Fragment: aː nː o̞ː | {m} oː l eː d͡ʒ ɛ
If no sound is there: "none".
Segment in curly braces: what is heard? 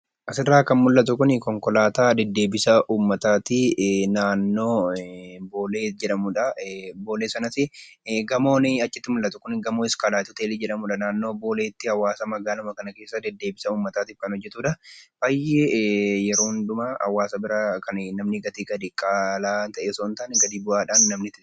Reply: b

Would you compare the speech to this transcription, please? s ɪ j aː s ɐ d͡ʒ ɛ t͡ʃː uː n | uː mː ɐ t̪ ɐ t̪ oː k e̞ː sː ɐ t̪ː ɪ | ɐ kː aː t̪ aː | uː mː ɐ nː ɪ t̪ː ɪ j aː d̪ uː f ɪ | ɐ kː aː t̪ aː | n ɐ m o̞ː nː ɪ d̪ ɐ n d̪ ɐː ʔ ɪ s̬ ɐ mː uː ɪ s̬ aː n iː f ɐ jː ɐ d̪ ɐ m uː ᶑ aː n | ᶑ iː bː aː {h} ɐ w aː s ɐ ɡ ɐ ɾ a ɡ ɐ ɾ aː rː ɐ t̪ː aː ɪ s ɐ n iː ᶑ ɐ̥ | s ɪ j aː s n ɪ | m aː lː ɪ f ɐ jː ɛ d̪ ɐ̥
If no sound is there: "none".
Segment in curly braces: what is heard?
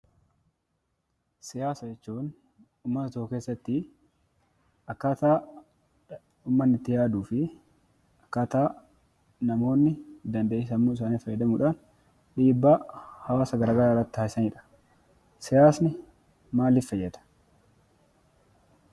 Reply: h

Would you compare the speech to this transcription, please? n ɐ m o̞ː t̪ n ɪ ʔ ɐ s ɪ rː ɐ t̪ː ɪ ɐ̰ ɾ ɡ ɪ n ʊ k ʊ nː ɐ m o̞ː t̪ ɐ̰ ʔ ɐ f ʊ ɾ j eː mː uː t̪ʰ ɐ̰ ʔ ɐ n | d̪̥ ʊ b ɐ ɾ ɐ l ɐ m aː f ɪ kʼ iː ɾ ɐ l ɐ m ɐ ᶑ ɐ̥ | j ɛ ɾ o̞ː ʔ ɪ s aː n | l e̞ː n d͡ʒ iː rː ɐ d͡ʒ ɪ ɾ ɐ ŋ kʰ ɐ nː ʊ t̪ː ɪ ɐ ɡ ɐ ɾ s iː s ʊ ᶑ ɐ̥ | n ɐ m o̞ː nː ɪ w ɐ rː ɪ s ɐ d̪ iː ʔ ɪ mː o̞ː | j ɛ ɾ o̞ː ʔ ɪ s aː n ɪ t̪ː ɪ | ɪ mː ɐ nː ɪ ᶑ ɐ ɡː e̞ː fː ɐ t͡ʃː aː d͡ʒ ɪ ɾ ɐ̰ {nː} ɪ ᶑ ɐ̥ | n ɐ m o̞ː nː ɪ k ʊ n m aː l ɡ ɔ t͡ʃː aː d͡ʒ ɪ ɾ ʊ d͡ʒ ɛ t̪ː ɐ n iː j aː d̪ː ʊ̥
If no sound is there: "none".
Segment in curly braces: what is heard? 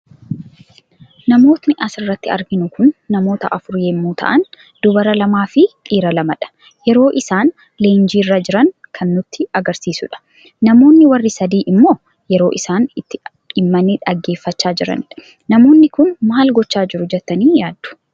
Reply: n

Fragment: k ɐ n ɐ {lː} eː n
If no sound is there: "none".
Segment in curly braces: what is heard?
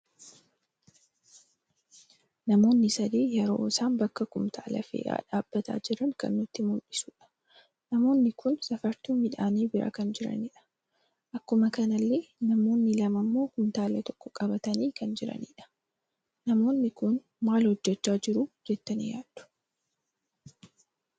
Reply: lː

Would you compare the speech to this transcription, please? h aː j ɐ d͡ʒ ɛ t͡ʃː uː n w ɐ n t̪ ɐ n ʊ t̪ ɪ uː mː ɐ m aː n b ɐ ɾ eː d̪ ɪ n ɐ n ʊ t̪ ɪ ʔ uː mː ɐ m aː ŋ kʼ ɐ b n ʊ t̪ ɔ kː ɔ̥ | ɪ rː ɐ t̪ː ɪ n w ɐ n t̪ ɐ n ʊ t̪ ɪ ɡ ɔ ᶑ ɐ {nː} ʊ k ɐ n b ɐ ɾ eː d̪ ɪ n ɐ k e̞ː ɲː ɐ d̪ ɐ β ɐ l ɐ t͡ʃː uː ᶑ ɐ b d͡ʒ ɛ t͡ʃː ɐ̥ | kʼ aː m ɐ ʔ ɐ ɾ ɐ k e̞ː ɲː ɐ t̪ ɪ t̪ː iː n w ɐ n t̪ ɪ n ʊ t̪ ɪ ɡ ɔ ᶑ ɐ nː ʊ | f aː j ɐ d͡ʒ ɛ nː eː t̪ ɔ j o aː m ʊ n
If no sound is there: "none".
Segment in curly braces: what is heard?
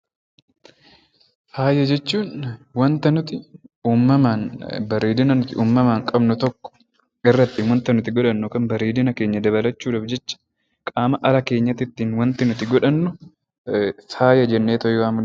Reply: nː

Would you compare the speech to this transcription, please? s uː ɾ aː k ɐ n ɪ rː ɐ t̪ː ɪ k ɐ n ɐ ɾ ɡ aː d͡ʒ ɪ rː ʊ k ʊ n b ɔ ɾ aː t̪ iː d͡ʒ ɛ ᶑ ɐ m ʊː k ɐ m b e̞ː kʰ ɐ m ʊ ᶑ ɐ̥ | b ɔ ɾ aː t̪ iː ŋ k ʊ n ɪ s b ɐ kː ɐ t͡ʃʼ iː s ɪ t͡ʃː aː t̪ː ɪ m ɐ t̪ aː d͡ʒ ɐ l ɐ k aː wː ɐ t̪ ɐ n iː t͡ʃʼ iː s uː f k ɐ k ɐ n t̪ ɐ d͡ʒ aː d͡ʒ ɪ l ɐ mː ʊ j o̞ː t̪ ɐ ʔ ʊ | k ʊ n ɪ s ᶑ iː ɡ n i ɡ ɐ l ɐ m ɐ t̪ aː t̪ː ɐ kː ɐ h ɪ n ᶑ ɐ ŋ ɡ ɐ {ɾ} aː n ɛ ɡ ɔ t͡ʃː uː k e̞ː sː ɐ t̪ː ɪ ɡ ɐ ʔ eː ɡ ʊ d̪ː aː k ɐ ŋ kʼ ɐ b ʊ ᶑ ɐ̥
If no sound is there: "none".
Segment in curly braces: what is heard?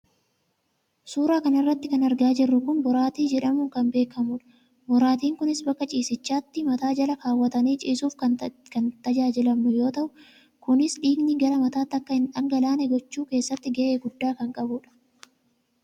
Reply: l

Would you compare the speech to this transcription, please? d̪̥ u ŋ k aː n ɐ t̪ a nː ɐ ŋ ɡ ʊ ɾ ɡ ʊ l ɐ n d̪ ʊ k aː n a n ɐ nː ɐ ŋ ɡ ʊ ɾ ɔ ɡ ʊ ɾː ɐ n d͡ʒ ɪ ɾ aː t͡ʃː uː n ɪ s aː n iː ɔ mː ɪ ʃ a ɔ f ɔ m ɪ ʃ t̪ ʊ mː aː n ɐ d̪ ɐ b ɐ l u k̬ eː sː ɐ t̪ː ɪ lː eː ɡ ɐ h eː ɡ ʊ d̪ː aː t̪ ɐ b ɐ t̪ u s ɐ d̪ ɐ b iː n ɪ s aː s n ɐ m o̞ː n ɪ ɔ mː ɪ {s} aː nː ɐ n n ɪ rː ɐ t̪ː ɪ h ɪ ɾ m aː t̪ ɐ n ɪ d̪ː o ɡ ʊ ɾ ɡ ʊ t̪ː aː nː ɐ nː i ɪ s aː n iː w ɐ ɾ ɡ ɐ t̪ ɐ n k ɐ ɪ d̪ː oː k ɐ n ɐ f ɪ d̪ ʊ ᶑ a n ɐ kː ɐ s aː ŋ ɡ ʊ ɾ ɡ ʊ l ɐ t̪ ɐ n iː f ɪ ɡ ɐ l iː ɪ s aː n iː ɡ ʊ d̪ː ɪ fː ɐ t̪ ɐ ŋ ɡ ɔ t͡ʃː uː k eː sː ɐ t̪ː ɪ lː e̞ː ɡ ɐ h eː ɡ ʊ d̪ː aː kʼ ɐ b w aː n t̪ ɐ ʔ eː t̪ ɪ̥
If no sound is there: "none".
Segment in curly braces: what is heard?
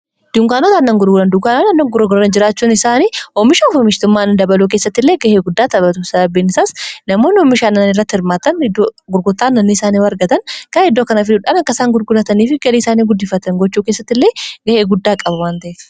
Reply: ʃ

